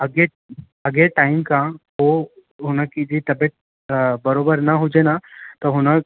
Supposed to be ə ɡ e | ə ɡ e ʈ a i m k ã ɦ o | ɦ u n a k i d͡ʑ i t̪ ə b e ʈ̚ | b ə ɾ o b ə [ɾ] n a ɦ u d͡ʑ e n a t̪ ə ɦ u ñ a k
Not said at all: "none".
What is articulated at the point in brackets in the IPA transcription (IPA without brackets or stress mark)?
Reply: ɾ